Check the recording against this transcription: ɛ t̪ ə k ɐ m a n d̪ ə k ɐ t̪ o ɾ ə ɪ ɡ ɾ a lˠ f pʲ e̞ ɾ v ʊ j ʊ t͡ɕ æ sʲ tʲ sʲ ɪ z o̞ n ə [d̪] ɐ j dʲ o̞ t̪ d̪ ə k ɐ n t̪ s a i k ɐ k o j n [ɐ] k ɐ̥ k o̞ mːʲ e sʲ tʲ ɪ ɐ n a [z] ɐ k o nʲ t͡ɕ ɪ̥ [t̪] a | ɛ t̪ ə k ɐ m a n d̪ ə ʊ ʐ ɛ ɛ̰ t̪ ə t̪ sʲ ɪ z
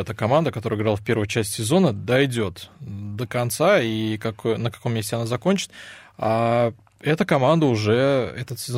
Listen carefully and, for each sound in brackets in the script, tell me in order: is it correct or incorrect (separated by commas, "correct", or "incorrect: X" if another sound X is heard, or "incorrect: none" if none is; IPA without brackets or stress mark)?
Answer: correct, incorrect: ə, correct, correct